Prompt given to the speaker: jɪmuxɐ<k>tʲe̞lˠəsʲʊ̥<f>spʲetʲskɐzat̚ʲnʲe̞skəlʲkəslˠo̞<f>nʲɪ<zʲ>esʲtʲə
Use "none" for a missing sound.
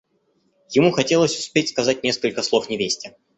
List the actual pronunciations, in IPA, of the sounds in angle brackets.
none, none, f, vʲ

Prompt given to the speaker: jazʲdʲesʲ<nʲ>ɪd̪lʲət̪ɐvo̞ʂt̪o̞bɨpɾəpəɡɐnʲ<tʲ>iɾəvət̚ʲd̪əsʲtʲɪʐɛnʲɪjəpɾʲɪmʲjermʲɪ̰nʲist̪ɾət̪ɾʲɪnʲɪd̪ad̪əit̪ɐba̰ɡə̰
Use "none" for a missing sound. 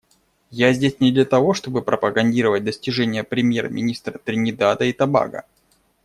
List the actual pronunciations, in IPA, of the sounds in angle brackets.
nʲ, dʲ

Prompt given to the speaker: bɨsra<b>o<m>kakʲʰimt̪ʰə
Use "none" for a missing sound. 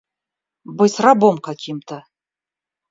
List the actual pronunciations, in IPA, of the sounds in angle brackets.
b, m

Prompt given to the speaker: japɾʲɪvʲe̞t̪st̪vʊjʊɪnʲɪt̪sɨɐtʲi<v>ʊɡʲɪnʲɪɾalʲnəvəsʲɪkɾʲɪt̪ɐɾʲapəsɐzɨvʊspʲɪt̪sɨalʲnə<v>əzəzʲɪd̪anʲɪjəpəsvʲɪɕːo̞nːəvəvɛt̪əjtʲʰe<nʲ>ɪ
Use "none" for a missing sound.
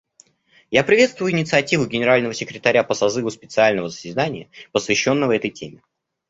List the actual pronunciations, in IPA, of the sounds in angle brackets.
v, v, mʲ

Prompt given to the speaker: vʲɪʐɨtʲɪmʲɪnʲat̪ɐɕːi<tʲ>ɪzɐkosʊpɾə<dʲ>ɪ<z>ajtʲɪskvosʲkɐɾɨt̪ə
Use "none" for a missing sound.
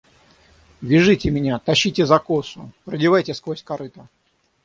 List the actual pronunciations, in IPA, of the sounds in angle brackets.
tʲ, dʲ, v

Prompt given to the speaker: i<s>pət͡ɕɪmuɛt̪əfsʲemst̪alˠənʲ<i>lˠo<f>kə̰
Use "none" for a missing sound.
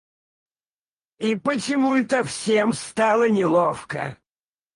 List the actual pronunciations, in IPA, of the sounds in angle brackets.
none, ɪ, f

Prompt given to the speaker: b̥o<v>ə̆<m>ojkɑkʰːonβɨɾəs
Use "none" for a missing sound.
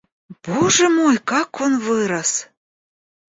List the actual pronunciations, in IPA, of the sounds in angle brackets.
ʒ, m

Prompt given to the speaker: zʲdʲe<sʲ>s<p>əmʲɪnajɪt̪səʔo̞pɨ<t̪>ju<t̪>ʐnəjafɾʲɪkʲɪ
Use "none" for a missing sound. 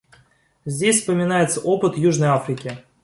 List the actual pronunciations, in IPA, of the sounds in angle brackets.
sʲ, p, t̪, none

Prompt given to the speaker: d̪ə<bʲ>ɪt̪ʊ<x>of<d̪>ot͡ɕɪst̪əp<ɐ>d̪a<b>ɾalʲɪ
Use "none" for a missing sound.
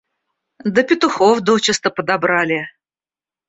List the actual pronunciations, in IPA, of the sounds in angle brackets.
pʲ, x, d̪, ə, b

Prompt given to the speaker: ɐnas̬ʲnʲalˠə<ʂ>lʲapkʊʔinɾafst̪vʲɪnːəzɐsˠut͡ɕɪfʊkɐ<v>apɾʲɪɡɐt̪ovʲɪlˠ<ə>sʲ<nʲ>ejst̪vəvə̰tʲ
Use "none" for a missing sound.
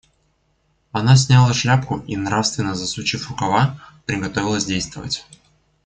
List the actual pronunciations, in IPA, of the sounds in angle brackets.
ʂ, v, ə, dʲ

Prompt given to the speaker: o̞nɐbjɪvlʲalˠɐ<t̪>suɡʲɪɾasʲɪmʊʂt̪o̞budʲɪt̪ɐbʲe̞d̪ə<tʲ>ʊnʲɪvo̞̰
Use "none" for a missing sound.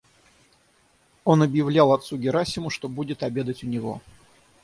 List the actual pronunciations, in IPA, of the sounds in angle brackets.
t̪, tʲ

